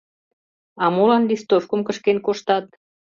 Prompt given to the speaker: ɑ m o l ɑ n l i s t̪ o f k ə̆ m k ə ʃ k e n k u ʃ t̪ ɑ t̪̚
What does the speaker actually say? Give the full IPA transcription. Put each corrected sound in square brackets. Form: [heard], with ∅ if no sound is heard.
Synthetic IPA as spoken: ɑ m o l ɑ n l i s t̪ o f k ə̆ m k ə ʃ k e n k [o] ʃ t̪ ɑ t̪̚